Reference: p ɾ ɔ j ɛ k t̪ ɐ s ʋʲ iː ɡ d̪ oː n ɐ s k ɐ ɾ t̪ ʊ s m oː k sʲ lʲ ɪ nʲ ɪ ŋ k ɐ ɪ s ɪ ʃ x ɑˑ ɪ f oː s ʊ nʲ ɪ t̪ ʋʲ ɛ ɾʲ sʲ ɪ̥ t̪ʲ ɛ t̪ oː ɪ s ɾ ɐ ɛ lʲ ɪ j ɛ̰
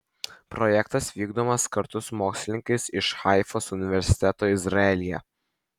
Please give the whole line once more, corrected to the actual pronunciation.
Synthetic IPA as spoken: p ɾ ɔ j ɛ k t̪ ɐ s ʋʲ iː ɡ d̪ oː m ɐ s k ɐ ɾ t̪ ʊ s m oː k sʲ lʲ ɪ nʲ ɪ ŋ k ɐ ɪ s ɪ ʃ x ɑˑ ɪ f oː s ʊ nʲ ɪ ʋʲ ɛ ɾʲ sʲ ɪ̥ t̪ʲ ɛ t̪ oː ɪ z ɾ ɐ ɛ lʲ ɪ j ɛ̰

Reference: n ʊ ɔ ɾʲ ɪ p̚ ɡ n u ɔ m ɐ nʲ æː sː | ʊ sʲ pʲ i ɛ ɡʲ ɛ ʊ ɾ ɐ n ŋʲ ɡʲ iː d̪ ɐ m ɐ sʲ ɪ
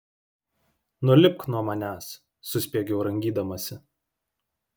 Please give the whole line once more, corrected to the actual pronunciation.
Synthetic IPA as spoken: n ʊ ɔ lʲ ɪ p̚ k n u ɔ m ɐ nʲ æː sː | ʊ sʲ pʲ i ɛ ɡʲ ɛ ʊ ɾ ɐ ŋʲ ɡʲ iː d̪ ɐ m ɐ sʲ ɪ

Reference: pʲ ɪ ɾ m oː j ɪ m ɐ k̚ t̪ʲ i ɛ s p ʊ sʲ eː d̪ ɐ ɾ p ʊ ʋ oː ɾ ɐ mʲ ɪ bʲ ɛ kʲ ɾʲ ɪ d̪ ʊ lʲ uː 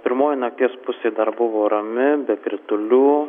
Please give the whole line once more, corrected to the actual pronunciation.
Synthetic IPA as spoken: pʲ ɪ ɾ m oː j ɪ n ɐ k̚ t̪ʲ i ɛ s p ʊ sʲ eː d̪ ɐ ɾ b ʊ ʋ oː ɾ ɐ mʲ ɪ bʲ ɛ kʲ ɾʲ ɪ t̪ ʊ lʲ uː

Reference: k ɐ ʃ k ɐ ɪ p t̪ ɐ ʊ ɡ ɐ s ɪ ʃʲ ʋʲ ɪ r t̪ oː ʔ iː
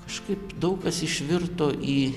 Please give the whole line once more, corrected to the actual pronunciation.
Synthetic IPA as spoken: k ɐ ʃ k ɐ ɪ p d̪ ɐ ʊ k ɐ s ɪ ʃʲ ʋʲ ɪ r t̪ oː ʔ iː

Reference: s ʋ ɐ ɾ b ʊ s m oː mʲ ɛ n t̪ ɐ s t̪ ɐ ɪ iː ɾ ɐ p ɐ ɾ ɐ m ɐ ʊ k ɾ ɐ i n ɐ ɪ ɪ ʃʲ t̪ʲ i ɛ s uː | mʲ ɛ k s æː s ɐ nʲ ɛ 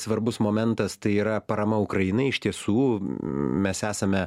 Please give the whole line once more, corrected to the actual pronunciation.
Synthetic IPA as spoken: s ʋ ɐ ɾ b ʊ s m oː mʲ ɛ n t̪ ɐ s t̪ ɐ ɪ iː ɾ ɐ p ɐ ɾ ɐ m ɐ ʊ k ɾ ɐ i n ɐ ɪ ɪ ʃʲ t̪ʲ i ɛ s uː | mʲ ɛ s æː s ɐ mʲ ɛ

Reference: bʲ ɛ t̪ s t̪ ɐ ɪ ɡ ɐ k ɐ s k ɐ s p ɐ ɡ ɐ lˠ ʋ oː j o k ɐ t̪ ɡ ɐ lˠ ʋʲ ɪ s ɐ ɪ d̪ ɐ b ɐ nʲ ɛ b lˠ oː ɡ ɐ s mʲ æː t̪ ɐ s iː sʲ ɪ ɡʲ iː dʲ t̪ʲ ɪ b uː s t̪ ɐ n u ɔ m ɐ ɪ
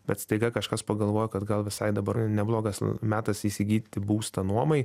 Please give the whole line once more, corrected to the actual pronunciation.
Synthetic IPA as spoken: bʲ ɛ t̪ s t̪ ɐ ɪ ɡ ɐ k ɐ ʃ k ɐ s p ɐ ɡ ɐ lˠ ʋ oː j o k ɐ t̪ ɡ ɐ lˠ ʋʲ ɪ s ɐ ɪ d̪ ɐ b ɐ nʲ ɛ b lˠ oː ɡ ɐ s mʲ æː t̪ ɐ s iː sʲ ɪ ɡʲ iː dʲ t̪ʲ ɪ b uː s t̪ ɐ n u ɔ m ɐ ɪ

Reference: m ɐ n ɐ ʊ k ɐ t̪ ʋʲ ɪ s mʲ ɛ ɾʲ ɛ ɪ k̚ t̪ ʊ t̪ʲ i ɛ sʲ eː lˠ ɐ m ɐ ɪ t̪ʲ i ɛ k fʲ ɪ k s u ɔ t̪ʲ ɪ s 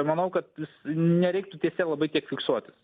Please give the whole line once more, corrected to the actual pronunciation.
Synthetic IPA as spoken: m ɐ n ɐ ʊ k ɐ t̪ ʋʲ ɪ s nʲ ɛ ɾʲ ɛ ɪ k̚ t̪ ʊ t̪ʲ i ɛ sʲ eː lˠ ɐ b ɐ ɪ t̪ʲ i ɛ k fʲ ɪ k s u ɔ t̪ʲ ɪ s

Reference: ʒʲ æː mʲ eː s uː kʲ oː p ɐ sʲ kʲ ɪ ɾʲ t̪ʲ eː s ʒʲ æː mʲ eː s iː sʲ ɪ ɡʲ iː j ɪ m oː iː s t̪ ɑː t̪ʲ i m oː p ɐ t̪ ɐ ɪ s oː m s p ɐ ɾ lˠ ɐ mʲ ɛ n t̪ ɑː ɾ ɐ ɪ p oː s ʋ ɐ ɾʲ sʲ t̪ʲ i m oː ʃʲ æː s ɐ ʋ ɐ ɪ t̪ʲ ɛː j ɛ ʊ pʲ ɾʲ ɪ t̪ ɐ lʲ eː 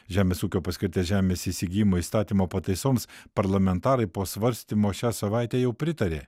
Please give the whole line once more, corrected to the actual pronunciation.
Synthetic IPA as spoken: ʒʲ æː mʲ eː s uː kʲ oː p ɐ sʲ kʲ ɪ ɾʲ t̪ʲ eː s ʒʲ æː mʲ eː s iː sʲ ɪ ɡʲ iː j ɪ m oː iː s t̪ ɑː t̪ʲ i m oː p ɐ t̪ ɐ ɪ s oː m s p ɐ ɾ lˠ ɐ mʲ ɛ n t̪ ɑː ɾ ɐ ɪ p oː s ʋ ɐ ɾʲ sʲ t̪ʲ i m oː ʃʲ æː s ɐ ʋ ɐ ɪ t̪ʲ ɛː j ɛ ʊ pʲ ɾʲ ɪ t̪ ɐ ɾʲ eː

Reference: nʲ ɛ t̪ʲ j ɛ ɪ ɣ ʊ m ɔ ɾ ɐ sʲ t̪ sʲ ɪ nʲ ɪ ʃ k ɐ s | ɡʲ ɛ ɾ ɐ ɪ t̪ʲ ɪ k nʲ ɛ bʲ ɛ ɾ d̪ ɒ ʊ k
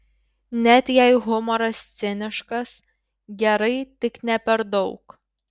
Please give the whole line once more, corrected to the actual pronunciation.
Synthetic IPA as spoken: nʲ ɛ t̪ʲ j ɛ ɪ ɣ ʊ m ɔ ɾ ɐ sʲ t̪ sʲ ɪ nʲ ɪ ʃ k ɐ s | ɡʲ ɛ ɾ ɐ ɪ t̪ʲ ɪ k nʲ ɛ pʲ ɛ ɾ d̪ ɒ ʊ k

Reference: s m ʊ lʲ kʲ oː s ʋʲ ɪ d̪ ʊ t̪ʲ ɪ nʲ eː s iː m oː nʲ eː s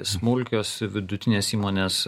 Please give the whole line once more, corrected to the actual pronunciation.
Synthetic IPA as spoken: s m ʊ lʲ kʲ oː s ʋʲ ɪ d̪ ʊ t̪ʲ ɪ nʲ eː s iː m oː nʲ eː s

